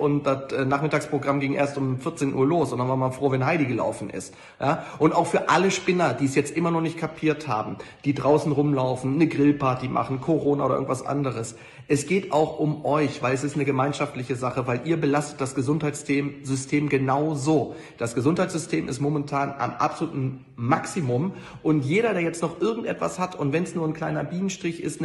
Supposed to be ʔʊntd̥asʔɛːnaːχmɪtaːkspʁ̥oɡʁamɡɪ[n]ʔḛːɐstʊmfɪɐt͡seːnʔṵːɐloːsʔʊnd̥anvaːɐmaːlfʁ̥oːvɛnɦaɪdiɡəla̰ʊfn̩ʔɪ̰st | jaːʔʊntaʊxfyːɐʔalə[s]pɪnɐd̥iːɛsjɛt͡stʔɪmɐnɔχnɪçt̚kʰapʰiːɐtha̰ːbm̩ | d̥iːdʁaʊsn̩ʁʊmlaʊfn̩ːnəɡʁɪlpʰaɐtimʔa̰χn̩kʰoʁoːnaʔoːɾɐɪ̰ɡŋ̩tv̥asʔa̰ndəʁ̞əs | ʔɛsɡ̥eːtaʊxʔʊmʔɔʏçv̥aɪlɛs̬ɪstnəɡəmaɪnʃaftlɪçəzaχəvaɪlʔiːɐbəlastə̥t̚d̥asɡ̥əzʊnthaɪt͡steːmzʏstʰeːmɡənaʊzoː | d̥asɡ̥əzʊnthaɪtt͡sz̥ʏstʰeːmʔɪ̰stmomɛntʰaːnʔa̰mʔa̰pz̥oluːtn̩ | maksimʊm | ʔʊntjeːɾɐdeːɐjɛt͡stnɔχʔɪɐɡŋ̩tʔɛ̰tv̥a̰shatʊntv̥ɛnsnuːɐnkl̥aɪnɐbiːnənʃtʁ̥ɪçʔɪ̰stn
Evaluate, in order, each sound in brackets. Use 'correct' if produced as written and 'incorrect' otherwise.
incorrect: ŋ, incorrect: ʃ

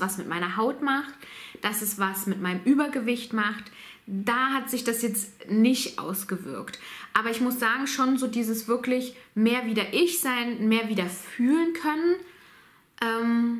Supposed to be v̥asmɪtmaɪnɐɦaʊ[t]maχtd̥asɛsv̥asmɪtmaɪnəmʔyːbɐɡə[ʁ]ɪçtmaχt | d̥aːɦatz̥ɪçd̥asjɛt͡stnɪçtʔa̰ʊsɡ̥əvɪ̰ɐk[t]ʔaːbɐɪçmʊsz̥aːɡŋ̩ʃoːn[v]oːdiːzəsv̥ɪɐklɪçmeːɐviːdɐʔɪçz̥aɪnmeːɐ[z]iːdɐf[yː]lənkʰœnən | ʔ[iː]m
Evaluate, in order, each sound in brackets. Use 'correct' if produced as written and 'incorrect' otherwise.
correct, incorrect: v, correct, incorrect: z, incorrect: v, correct, incorrect: ɛː

